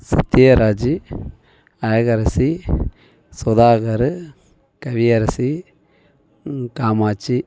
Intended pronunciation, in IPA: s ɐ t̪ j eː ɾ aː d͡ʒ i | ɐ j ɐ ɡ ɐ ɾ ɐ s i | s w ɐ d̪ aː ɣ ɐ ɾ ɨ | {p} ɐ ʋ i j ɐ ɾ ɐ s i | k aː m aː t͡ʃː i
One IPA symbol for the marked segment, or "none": k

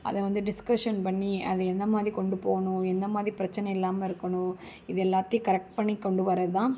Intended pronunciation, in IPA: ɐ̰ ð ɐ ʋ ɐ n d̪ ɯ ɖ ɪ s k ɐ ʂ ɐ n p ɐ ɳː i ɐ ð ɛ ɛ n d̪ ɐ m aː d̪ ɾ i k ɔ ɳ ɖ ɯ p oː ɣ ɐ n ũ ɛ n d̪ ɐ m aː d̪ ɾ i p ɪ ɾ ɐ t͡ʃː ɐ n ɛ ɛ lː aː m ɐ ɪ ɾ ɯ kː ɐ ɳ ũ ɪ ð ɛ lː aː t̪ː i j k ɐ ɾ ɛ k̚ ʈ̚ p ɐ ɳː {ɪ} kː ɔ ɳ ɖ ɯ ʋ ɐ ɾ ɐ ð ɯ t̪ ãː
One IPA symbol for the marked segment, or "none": i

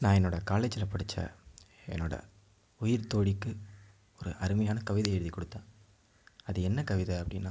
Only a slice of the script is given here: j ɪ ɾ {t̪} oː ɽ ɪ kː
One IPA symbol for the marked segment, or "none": t̪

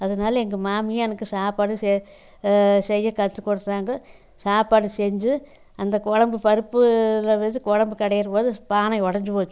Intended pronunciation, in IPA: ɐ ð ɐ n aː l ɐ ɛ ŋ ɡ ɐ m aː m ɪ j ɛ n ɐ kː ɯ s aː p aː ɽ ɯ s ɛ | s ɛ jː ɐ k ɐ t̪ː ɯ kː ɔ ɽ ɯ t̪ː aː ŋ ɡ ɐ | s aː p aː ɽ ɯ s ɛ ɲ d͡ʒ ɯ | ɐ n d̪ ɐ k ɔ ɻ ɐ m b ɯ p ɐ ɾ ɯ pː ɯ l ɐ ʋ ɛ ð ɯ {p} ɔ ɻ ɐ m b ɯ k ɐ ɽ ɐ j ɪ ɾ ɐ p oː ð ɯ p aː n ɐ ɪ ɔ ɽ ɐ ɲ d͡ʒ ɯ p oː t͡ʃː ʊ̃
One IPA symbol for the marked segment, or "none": k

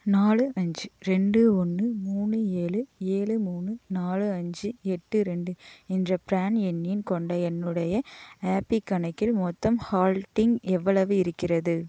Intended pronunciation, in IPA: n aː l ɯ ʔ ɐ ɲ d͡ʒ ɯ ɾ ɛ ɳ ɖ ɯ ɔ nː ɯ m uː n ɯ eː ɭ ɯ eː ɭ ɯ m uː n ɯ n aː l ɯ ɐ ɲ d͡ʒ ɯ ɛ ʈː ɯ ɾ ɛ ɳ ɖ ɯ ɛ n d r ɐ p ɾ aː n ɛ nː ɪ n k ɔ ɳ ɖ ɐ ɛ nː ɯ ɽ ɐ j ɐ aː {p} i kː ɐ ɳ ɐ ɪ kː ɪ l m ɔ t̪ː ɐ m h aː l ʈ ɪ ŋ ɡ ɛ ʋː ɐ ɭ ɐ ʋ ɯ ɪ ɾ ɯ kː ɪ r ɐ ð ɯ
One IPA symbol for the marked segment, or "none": p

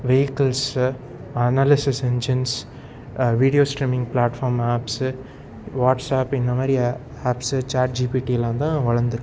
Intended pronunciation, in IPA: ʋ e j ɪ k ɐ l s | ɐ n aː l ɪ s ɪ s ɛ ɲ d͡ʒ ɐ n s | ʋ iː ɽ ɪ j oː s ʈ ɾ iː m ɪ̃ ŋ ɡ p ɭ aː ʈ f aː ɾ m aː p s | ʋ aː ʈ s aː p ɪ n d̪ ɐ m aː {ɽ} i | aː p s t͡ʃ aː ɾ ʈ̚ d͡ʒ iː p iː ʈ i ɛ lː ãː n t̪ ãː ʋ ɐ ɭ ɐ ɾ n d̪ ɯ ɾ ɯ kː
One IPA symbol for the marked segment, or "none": ɾ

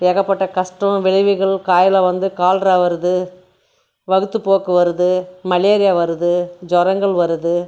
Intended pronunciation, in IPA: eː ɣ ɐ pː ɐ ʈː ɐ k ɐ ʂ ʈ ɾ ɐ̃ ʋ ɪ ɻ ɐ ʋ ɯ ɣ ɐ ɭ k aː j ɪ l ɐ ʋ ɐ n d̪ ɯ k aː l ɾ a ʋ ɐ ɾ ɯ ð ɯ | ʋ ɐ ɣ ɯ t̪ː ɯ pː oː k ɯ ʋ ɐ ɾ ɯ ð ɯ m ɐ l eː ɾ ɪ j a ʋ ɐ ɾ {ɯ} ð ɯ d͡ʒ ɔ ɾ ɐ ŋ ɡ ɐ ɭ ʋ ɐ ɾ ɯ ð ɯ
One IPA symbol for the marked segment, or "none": ɯ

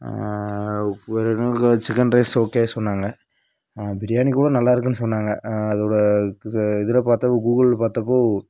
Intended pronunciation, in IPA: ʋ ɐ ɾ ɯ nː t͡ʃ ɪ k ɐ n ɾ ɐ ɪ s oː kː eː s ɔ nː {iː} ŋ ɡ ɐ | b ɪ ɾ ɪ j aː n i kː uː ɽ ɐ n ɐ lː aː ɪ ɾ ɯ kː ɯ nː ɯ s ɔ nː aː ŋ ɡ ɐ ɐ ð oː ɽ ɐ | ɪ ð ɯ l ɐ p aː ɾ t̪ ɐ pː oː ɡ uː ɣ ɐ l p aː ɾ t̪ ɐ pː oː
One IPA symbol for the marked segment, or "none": aː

